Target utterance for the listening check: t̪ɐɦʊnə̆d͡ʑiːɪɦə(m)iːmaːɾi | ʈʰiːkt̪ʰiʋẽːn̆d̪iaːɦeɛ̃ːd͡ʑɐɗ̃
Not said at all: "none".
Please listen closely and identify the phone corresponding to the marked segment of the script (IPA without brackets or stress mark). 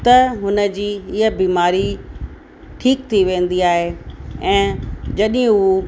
b